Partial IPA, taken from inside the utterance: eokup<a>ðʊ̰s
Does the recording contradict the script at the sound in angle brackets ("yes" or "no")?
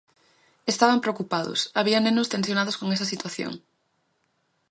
no